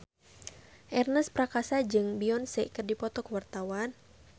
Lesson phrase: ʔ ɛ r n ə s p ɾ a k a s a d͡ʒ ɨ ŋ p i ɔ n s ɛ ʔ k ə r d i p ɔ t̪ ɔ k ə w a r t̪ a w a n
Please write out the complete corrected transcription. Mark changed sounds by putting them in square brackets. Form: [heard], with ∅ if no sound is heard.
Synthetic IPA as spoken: ʔ ɛ r n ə s p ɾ a k a s a d͡ʒ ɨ ŋ [b] i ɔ n s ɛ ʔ k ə r d i p ɔ t̪ ɔ k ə w a r t̪ a w a n